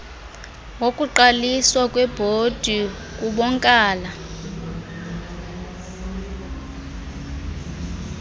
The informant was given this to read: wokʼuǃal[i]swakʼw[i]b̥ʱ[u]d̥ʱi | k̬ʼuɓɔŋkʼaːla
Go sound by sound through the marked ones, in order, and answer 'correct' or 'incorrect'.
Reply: correct, incorrect: ɛ, incorrect: o

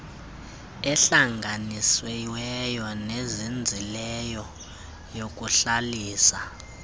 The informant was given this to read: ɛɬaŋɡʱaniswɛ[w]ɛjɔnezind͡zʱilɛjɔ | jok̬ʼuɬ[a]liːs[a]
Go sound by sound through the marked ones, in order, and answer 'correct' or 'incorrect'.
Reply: correct, correct, correct

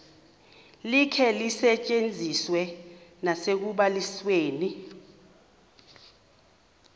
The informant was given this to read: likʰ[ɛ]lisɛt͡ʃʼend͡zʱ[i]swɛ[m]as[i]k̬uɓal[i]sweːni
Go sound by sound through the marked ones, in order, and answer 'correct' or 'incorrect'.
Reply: correct, correct, incorrect: n, incorrect: e, correct

